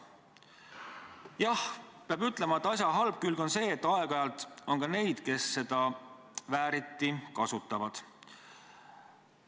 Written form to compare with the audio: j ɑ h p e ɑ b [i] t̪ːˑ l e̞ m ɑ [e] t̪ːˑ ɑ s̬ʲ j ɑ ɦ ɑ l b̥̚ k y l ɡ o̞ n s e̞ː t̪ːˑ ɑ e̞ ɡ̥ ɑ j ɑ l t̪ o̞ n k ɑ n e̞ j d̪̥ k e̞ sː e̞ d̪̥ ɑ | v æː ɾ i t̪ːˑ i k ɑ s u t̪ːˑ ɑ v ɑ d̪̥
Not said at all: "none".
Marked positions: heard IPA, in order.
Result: y, e

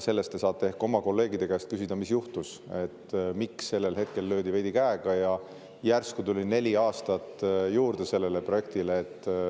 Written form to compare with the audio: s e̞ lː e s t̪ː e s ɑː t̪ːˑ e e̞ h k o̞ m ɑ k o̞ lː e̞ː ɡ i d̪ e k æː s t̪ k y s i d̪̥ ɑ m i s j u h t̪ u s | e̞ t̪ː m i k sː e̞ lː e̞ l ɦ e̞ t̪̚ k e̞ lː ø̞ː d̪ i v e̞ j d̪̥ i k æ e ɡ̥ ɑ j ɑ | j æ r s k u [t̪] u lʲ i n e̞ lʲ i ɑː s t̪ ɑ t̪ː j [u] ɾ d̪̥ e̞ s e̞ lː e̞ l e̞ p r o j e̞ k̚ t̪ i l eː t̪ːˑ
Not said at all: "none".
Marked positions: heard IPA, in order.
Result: t̪, uː

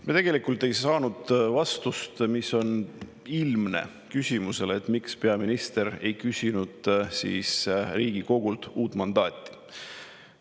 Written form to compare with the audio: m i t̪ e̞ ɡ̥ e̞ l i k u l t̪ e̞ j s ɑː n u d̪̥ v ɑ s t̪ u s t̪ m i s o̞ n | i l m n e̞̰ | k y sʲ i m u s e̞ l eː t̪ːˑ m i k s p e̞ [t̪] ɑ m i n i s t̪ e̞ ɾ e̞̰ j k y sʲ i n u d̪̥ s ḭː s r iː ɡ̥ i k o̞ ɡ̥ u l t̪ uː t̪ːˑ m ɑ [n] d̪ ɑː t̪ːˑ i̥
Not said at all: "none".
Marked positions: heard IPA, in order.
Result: none, n

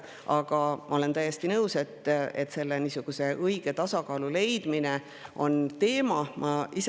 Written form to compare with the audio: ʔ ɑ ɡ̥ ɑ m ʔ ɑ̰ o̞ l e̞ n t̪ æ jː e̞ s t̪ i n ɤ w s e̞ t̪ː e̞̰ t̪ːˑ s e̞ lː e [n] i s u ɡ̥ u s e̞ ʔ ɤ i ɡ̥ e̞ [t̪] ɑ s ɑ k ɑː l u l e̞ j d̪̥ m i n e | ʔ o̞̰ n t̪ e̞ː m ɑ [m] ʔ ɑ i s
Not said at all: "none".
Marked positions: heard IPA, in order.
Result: n, t̪, m

